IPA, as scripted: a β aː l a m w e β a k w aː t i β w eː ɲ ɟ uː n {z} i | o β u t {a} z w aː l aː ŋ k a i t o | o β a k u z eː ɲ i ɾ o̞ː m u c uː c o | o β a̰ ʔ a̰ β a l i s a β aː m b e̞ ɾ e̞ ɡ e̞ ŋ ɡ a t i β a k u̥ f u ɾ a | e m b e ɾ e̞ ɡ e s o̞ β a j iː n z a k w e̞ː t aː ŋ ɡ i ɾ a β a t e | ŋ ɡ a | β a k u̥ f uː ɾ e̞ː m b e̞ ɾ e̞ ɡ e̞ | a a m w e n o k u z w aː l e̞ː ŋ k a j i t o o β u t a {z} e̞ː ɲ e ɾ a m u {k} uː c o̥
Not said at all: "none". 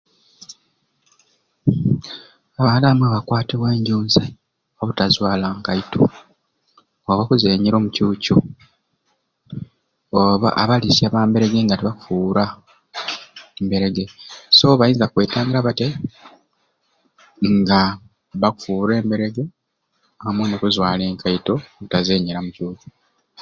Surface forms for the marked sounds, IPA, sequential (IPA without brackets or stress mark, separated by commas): z, a, z, c